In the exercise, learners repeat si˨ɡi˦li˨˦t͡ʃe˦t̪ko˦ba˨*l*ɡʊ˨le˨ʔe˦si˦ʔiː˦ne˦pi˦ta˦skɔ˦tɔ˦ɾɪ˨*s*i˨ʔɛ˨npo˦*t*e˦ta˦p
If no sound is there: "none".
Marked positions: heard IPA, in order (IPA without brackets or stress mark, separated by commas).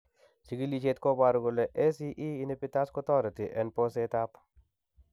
ɾ, t, s